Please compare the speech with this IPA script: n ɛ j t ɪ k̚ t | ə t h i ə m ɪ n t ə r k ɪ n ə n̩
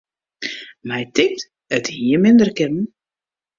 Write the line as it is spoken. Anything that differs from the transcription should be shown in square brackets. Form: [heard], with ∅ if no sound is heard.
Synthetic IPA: [m] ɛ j t ɪ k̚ t | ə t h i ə m ɪ n [d] ə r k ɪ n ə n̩